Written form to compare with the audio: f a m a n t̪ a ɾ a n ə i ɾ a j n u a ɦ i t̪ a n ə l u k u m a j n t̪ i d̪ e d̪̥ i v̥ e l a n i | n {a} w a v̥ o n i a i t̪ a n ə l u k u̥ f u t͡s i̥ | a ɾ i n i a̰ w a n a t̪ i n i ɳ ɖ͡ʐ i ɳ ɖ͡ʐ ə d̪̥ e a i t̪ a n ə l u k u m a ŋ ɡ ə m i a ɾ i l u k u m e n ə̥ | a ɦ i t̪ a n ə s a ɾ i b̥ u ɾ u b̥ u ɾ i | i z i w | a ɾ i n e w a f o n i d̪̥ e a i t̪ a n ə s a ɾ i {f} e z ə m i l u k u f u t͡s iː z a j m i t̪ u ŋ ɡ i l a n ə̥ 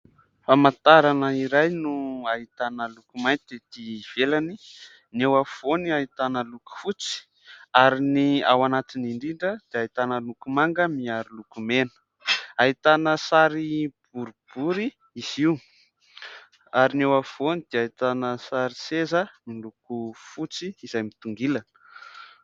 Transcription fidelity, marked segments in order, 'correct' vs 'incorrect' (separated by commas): incorrect, incorrect